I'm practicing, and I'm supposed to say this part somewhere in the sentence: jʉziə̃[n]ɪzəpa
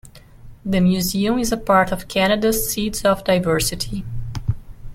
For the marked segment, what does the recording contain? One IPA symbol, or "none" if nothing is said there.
m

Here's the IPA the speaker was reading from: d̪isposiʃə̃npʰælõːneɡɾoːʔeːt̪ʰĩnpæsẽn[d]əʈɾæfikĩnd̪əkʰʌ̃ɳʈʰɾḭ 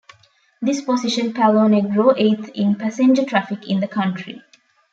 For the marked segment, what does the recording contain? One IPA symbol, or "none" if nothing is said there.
d͡ʒ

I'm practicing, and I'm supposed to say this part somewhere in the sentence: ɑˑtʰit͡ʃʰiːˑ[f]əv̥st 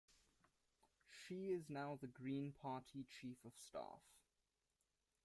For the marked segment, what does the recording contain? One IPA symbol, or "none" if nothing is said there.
f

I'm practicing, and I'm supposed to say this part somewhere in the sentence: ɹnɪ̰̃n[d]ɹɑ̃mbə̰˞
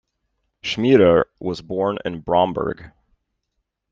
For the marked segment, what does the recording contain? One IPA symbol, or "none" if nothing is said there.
b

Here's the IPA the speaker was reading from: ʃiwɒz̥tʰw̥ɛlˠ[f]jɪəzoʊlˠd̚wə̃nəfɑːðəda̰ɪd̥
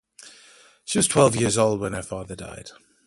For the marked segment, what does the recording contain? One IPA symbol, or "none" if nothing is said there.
v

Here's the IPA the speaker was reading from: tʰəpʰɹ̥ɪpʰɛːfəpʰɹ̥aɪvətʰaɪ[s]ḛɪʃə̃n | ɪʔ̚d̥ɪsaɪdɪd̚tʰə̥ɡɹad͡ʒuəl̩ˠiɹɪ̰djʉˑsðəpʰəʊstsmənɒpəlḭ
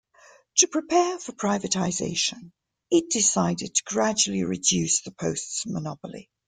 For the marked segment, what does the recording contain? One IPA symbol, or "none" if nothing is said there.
z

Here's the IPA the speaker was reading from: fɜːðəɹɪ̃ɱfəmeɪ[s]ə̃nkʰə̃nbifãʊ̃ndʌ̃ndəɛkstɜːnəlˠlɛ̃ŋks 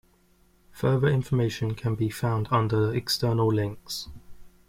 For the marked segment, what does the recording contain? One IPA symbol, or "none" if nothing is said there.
ʃ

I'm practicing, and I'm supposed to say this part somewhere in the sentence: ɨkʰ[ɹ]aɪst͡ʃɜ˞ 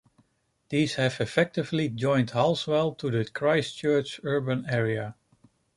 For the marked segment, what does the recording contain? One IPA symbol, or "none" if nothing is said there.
ɹ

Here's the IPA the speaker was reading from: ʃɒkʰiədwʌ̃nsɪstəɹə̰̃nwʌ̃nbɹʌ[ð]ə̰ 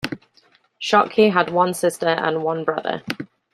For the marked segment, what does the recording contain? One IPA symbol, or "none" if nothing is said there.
ð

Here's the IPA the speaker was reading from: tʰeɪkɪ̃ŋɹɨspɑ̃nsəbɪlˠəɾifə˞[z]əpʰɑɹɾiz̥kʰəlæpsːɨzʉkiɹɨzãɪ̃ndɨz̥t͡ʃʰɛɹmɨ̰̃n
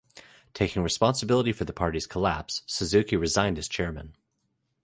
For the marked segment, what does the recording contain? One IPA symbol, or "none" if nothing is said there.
ð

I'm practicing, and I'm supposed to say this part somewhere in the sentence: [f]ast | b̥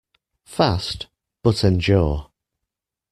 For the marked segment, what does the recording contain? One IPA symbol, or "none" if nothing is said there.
f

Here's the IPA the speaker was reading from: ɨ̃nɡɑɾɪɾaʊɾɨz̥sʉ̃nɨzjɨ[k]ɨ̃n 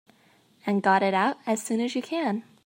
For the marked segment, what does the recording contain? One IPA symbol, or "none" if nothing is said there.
kʰ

